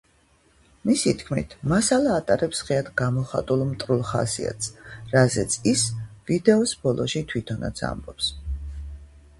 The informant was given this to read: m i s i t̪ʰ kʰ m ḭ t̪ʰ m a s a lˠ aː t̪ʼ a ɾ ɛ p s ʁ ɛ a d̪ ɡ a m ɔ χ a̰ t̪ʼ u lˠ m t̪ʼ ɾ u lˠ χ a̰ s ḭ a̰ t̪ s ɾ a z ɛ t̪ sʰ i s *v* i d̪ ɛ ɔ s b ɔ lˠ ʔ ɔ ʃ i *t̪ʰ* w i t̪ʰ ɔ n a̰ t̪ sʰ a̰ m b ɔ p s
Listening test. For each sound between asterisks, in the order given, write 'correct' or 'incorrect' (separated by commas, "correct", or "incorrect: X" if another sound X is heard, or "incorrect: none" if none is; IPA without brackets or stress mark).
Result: correct, correct